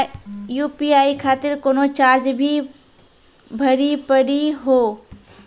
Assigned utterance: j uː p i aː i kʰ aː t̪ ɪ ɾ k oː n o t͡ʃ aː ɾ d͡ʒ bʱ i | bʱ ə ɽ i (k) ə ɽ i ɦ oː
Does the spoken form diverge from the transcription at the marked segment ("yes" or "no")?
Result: yes